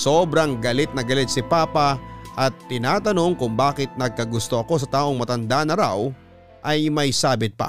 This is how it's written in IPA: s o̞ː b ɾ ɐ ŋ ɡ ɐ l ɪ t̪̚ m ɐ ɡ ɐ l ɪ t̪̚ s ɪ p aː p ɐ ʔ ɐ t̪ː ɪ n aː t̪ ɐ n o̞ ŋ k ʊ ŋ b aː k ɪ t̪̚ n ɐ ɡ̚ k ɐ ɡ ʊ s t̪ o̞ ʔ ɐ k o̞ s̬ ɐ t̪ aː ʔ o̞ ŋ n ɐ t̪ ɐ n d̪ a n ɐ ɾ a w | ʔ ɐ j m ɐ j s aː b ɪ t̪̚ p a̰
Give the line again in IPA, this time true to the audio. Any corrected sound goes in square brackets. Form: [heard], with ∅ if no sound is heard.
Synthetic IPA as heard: s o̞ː b ɾ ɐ ŋ ɡ ɐ l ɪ t̪̚ [n] ɐ ɡ ɐ l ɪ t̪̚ s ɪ p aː p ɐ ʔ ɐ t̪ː ɪ n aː t̪ ɐ n o̞ ŋ k ʊ ŋ b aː k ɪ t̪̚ n ɐ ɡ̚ k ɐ ɡ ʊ s t̪ o̞ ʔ ɐ k o̞ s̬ ɐ t̪ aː ʔ o̞ ŋ [m] ɐ t̪ ɐ n d̪ a n ɐ ɾ a w | ʔ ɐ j m ɐ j s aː b ɪ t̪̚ p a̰